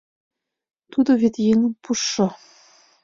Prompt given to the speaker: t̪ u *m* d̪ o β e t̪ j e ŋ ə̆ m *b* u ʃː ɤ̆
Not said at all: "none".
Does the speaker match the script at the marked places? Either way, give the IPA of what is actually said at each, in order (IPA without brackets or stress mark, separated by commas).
none, p